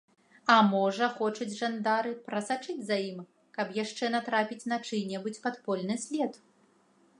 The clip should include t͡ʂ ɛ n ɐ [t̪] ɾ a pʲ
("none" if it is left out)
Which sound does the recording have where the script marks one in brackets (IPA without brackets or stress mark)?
t̪